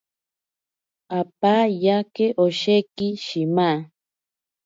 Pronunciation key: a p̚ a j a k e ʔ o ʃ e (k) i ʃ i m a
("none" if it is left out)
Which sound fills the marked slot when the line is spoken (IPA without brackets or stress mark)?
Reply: k